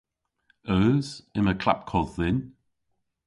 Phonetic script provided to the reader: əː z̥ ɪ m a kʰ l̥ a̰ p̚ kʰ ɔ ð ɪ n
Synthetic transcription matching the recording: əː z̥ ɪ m ə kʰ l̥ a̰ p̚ kʰ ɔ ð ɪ n

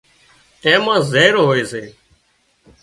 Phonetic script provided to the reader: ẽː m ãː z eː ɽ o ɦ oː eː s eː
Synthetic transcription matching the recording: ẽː m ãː z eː ɾ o ɦ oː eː s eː

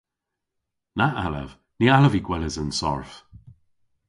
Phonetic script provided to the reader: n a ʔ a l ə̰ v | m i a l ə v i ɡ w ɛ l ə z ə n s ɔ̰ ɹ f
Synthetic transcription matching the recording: n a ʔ a l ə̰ v | n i a l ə v i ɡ w ɛ l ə z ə n s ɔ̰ ɹ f

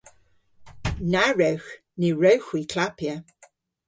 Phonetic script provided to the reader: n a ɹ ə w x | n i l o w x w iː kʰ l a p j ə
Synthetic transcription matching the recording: n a ɹ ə w x | n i ɹ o w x w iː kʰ l a p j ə

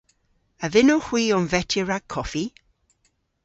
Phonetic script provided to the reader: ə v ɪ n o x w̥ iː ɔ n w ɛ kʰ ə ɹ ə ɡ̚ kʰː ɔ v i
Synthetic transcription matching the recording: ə v ɪ n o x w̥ iː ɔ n v ɛ tʰ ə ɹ a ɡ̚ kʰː ɔ f i

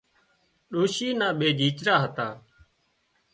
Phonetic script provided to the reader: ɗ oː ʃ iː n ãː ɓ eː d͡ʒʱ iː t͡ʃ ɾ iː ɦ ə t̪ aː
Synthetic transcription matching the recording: ɗ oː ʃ iː n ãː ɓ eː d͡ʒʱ iː t͡ʃ ɾ aː ɦ ə t̪ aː

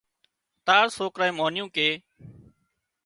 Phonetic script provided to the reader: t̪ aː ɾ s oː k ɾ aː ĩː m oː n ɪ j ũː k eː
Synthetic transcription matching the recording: t̪ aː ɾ s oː k ɾ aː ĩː m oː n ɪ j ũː k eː

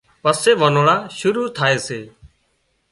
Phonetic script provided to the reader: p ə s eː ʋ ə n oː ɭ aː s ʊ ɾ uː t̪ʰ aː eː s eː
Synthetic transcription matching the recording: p ə s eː ʋ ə n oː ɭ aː ʃ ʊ ɾ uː t̪ʰ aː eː s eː

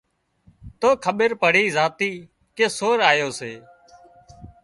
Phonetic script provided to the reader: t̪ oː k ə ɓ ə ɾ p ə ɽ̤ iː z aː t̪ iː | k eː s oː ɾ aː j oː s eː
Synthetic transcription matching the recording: t̪ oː kʰ ə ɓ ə ɾ p ə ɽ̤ iː z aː t̪ iː | k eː s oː ɾ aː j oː s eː

